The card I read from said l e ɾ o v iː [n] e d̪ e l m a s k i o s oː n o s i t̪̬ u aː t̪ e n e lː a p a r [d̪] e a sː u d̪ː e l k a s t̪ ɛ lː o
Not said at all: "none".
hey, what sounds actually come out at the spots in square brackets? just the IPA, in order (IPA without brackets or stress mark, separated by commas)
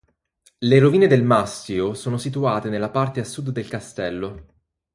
n, t̪